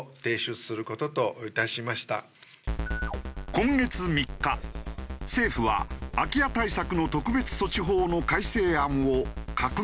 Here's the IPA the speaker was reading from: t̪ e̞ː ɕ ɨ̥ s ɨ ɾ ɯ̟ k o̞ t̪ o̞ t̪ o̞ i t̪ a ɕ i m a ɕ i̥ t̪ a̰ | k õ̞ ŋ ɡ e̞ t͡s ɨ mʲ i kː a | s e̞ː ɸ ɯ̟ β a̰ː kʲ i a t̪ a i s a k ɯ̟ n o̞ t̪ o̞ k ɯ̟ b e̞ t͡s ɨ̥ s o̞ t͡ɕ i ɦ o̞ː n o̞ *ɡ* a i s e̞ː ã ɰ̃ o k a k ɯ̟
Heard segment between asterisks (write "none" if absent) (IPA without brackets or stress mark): k